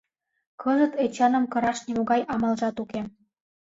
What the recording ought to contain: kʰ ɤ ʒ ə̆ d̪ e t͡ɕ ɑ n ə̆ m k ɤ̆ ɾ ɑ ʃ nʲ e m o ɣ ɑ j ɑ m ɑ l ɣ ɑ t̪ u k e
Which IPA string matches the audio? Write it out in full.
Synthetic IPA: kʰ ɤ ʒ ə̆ t̪ e t͡ɕ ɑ n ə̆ m k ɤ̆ ɾ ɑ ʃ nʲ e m o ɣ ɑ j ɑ m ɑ l ʒ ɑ t̪ u k e

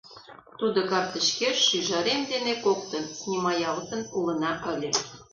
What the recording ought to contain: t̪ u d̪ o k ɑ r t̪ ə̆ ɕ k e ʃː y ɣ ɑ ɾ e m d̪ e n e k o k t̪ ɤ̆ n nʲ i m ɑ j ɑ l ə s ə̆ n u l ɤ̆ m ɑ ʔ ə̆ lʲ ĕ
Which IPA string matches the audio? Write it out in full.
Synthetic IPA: t̪ u d̪ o k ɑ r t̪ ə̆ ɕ k e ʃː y ʒ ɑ ɾ e m d̪ e n e k o k t̪ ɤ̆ n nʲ i m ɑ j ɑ l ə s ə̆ n u l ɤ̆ n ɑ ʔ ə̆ lʲ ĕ

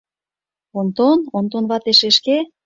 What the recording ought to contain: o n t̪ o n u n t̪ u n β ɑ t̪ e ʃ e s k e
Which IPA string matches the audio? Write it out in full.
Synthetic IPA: o n t̪ o n o n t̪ o n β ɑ t̪ e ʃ e ʃ k e

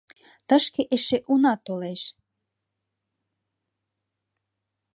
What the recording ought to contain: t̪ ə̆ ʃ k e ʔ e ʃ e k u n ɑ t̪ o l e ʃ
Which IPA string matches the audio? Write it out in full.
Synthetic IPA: t̪ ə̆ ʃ k e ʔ e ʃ e ʔ u n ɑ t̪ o l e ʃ

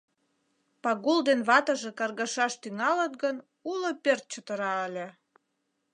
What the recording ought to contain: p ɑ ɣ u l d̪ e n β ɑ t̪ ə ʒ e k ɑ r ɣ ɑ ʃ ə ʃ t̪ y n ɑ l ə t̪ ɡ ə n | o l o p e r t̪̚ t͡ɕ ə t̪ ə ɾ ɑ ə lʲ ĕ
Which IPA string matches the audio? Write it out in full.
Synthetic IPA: p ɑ ɣ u l d̪ e n β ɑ t̪ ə ʒ e k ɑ r ɣ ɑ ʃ ɑ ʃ t̪ y ŋ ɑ l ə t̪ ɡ ə n | u l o p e r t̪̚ t͡ɕ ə t̪ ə ɾ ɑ ə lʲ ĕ

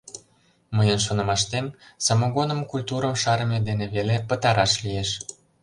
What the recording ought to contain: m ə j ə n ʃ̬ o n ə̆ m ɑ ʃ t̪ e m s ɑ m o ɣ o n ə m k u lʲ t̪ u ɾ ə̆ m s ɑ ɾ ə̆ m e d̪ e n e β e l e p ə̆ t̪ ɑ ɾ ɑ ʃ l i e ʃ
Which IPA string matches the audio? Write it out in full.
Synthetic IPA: m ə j ə n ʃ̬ o n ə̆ m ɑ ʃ t̪ e m s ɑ m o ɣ o n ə m k u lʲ t̪ u ɾ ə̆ m ʃ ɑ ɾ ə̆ m e d̪ e n e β e l e p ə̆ t̪ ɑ ɾ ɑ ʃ l i e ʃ

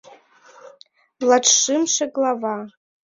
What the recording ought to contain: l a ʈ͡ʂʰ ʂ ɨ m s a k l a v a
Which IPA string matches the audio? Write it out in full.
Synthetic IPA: l a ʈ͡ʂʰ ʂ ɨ m ʂ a ɡ l a v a

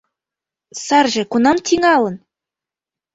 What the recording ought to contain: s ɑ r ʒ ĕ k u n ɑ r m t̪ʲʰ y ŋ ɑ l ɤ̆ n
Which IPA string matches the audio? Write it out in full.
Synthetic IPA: s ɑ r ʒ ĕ k u n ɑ m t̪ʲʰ i ŋ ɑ l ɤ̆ n

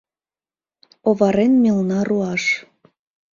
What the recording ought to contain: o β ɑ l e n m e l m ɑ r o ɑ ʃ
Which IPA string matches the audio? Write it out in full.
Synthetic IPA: o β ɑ ɾ e n m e l n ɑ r u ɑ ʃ

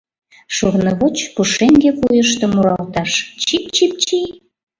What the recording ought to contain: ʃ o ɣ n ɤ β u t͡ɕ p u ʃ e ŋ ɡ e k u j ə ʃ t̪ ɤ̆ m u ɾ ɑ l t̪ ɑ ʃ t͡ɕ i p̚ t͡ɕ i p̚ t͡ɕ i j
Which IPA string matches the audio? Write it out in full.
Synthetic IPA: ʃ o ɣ n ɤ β o t͡ɕ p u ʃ e ŋ ɡ e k u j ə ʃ t̪ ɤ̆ m u ɾ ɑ l t̪ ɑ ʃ t͡ɕ i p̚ t͡ɕ i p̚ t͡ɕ i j

